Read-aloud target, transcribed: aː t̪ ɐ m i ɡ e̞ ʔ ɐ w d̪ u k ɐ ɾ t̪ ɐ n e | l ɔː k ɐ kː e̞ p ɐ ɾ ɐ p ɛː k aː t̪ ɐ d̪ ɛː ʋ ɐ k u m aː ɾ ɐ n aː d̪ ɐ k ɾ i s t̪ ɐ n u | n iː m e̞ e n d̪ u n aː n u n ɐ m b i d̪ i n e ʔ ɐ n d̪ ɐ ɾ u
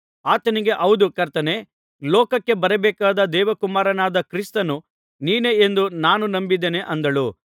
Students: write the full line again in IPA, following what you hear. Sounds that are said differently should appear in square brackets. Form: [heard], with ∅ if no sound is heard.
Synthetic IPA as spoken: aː t̪ ɐ [n] i ɡ e̞ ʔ ɐ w d̪ u k ɐ ɾ t̪ ɐ n e | l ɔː k ɐ kː e̞ [b] ɐ ɾ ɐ [b] ɛː k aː [d̪] ɐ d̪ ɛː ʋ ɐ k u m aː ɾ ɐ n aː d̪ ɐ k ɾ i s t̪ ɐ n u | n iː [n] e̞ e n d̪ u n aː n u n ɐ m b i d̪ [e] n e ʔ ɐ n d̪ ɐ [ɭ] u